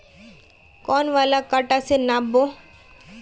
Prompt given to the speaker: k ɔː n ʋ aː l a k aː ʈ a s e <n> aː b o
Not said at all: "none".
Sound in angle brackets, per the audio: n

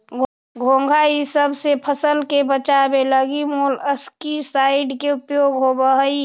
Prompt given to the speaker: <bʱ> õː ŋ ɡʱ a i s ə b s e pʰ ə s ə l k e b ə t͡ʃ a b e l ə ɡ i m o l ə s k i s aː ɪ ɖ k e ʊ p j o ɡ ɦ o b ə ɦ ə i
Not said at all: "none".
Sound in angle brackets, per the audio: ɡʱ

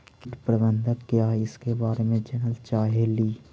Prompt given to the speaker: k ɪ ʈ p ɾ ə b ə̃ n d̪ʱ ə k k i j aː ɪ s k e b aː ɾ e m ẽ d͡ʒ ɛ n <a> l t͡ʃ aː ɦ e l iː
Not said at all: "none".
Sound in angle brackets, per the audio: ə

